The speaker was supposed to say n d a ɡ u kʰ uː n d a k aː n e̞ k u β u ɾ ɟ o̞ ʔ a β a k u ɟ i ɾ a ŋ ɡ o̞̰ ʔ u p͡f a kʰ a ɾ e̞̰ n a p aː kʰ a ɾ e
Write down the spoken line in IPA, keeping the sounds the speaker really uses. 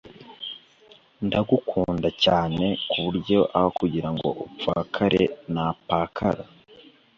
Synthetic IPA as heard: n d a ɡ u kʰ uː n d a c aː n e̞ k u β u ɾ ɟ o̞ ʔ a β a k u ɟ i ɾ a ŋ ɡ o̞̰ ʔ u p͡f a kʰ a ɾ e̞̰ n a p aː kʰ a ɾ a